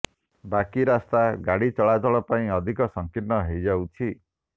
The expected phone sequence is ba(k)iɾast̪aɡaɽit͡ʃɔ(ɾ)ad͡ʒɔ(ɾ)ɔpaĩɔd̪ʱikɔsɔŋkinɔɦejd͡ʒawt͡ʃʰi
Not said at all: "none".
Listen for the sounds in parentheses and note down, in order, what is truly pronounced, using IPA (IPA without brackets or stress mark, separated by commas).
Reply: k, ɭ, ɭ